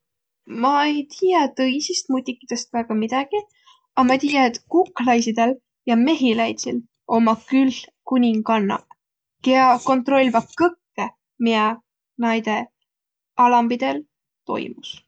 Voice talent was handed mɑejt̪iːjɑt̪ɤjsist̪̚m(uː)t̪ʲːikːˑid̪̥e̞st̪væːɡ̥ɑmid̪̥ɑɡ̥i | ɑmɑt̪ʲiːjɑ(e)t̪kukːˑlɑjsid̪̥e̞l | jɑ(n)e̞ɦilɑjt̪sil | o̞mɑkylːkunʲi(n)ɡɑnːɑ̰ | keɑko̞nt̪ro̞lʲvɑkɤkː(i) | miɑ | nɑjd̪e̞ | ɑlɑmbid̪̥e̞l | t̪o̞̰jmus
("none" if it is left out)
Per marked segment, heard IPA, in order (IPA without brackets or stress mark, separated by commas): u, e, m, ŋ, e